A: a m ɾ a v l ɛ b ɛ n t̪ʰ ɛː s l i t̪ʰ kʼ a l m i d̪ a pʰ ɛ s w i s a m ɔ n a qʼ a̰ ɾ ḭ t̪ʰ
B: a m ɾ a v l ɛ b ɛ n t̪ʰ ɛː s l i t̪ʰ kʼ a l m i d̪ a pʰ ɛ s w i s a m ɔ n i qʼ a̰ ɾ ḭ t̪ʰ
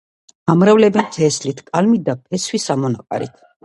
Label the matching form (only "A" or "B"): A